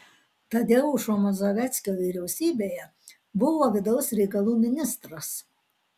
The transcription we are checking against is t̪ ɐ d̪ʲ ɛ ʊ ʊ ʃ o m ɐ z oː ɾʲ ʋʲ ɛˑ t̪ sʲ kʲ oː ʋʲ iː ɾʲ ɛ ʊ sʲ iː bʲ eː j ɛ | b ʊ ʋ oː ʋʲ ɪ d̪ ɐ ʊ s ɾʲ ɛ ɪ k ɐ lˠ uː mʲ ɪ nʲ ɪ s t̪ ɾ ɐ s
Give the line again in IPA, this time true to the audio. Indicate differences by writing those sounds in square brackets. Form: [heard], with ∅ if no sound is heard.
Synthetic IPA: t̪ ɐ d̪ʲ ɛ ʊ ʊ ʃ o m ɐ z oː [∅] ʋʲ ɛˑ t̪ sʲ kʲ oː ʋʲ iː ɾʲ ɛ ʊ sʲ iː bʲ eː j ɛ | b ʊ ʋ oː ʋʲ ɪ d̪ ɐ ʊ s ɾʲ ɛ ɪ k ɐ lˠ uː mʲ ɪ nʲ ɪ s t̪ ɾ ɐ s